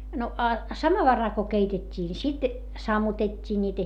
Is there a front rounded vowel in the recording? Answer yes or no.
no